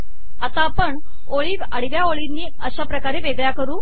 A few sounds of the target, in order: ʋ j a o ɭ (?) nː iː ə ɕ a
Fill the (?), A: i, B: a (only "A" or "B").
A